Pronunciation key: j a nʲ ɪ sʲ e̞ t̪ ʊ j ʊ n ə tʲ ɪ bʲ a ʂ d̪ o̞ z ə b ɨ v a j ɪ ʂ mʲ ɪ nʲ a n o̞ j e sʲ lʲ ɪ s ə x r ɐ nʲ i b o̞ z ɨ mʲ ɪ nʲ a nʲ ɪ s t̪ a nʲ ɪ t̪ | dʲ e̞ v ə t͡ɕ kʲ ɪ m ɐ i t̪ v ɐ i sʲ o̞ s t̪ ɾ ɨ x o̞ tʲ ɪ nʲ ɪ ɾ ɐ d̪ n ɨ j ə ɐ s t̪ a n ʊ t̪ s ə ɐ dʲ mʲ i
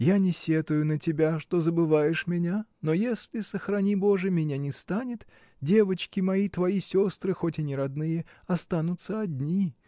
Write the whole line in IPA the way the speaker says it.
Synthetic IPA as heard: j a nʲ ɪ sʲ e̞ t̪ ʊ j ʊ n ə tʲ ɪ bʲ a ʂ t̪ o̞ z ə b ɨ v a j ɪ ʂ mʲ ɪ nʲ a n o̞ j e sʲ lʲ ɪ s ə x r ɐ nʲ i b o̞ ʐ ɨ mʲ ɪ nʲ a nʲ ɪ s t̪ a nʲ ɪ t̪ | dʲ e̞ v ə t͡ɕ kʲ ɪ m ɐ i t̪ v ɐ i sʲ o̞ s t̪ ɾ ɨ x o̞ tʲ ɪ nʲ ɪ ɾ ɐ d̪ n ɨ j ə ɐ s t̪ a n ʊ t̪ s ə ɐ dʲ nʲ i